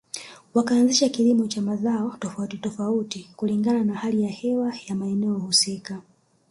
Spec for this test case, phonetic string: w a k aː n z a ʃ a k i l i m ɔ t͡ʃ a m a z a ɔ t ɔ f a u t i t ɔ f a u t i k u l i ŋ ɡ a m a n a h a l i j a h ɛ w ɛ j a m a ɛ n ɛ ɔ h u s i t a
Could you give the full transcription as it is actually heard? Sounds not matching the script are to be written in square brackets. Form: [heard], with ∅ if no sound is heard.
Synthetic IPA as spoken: w a k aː n z [i] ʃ a k i l i m ɔ t͡ʃ a m a z a ɔ t ɔ f a u t i t ɔ f a u t i k u l i ŋ ɡ a [n] a n a h a l i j a h ɛ w [a] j a m a ɛ n ɛ ɔ h u s i [k] a